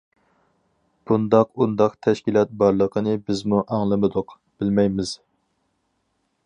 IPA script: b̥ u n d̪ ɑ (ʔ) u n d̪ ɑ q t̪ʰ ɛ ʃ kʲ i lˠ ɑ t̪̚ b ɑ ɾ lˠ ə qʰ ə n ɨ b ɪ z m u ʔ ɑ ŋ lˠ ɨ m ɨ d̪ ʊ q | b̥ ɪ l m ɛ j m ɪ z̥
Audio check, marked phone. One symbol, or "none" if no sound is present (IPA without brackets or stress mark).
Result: q